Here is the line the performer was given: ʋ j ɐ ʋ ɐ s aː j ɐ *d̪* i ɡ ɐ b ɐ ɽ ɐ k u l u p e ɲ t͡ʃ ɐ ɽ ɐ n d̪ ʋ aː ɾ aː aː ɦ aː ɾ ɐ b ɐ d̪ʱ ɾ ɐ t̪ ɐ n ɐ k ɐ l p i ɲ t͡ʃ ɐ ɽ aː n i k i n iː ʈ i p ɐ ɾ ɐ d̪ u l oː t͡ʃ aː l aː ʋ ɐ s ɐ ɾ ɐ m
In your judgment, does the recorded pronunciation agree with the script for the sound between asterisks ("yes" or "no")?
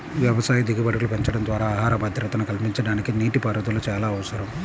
yes